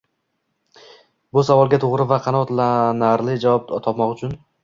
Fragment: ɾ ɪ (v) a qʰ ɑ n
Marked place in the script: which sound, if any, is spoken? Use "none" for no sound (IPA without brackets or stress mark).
v